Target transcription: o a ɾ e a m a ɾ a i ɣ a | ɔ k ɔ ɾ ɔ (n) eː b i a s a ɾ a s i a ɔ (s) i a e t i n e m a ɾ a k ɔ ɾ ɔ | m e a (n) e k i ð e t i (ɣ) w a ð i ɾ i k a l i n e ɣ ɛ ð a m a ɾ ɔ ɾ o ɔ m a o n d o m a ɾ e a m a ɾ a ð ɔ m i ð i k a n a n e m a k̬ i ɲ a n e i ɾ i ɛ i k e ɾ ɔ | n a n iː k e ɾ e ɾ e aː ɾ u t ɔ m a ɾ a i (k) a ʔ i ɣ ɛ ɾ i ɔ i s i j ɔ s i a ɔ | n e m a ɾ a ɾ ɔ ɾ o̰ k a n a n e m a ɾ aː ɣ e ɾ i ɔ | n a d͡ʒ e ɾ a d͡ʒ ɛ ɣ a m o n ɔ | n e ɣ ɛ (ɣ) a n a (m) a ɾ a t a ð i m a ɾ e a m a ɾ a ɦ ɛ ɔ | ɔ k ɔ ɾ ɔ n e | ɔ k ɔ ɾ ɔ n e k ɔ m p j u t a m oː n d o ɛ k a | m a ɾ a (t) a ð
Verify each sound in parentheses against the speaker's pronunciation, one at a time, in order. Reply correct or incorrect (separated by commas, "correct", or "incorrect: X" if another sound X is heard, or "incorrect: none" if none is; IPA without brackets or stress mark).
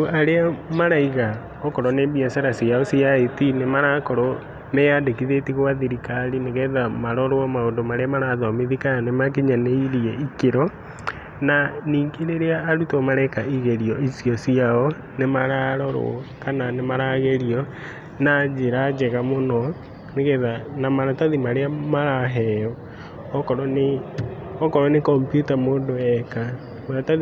correct, correct, incorrect: d, correct, correct, incorrect: ð, correct, correct